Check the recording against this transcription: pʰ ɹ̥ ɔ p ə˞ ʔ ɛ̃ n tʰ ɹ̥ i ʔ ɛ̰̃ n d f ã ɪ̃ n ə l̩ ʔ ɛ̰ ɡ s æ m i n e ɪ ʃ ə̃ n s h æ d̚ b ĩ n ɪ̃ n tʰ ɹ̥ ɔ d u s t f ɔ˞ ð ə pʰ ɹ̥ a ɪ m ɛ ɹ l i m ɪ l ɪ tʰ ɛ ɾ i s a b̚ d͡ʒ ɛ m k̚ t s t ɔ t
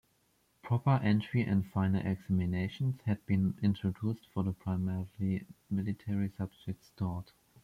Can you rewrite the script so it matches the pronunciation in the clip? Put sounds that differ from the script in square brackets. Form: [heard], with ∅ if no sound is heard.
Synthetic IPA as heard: pʰ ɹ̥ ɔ p ə˞ ʔ ɛ̃ n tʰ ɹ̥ i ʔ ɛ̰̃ n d f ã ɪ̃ n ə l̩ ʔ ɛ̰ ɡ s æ m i n e ɪ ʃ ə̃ n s h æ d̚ b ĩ n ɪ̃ n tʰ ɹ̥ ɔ d u s t f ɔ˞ ð ə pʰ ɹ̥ a ɪ m ɛ ɹ l i m ɪ l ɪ tʰ ɛ [ɹ] i s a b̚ d͡ʒ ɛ [∅] k̚ t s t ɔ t

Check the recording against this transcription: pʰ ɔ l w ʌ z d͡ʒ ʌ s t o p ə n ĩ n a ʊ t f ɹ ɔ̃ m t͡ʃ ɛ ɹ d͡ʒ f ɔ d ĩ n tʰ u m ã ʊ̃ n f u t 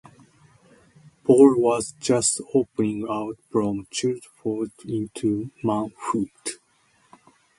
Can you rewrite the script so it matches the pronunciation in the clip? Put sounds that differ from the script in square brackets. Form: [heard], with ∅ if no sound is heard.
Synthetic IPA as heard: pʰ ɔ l w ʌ z d͡ʒ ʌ s t o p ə n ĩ [ŋ] a ʊ t f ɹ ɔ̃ m t͡ʃ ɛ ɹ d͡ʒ f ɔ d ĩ n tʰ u m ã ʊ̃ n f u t

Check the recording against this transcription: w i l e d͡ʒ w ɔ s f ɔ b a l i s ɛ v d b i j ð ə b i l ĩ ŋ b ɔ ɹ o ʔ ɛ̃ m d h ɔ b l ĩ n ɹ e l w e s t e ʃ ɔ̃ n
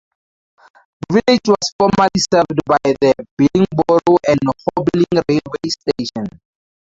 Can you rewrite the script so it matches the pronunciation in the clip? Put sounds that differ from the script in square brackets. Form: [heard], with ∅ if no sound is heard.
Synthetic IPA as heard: [v] i l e d͡ʒ w ɔ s f ɔ [m] a l i s ɛ v d b [a] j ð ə b i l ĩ ŋ b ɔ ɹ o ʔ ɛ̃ [n] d h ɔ b l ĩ [ŋ] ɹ e l w e s t e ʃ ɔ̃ n

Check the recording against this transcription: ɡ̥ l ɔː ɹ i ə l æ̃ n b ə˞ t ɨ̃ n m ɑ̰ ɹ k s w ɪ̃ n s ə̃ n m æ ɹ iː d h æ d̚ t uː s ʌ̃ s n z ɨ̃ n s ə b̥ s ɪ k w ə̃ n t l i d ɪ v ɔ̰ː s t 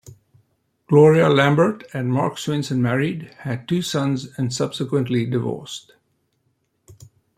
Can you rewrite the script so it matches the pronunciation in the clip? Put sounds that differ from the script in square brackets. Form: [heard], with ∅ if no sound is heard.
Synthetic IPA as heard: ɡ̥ l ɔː ɹ i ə l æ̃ [m] b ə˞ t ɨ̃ n m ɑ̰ ɹ k s w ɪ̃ n s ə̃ n m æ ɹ [i] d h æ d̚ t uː s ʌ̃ [∅] n z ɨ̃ n s [ʌ] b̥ s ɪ k w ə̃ n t l i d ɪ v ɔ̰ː s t

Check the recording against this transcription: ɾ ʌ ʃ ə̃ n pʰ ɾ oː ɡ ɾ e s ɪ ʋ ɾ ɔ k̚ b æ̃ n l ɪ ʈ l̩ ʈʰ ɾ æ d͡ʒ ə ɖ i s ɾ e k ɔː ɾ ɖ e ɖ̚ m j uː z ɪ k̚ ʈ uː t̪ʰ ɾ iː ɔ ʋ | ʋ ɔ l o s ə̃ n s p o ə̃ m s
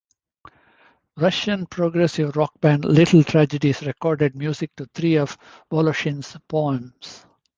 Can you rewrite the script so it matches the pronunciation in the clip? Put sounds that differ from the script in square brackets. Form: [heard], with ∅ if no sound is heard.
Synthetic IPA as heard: ɾ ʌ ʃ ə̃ n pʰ ɾ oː ɡ ɾ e s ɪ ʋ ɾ ɔ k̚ b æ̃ n l ɪ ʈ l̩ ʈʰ ɾ æ d͡ʒ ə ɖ i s ɾ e k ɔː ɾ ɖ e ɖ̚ m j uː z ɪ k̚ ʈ [u] t̪ʰ ɾ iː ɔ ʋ | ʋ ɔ l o [ʃ] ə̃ n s p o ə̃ m s

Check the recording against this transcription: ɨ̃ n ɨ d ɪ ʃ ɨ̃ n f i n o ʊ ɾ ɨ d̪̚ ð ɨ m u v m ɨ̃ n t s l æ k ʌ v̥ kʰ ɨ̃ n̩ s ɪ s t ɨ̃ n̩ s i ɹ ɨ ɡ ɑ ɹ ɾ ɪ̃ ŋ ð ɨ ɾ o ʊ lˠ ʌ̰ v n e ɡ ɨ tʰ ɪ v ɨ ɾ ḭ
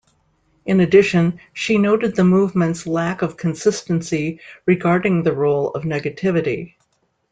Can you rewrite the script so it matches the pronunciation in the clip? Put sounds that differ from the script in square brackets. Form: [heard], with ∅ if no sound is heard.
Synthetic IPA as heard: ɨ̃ n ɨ d ɪ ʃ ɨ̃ n [ʃ] i n o ʊ ɾ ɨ d̪̚ ð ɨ m u v m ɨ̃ n t s l æ k ʌ v̥ kʰ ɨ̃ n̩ s ɪ s t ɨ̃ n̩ s i ɹ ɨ ɡ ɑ ɹ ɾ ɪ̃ ŋ ð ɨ [ɹ] o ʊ lˠ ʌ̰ v n [ɛ] ɡ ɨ tʰ ɪ v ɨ ɾ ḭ

